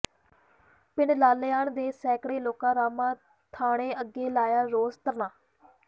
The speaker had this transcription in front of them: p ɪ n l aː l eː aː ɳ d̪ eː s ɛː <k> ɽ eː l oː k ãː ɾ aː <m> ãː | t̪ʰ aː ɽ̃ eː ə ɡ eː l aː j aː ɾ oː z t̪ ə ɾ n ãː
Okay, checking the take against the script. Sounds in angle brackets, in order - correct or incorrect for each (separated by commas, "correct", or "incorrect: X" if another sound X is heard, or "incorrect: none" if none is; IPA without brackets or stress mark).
correct, correct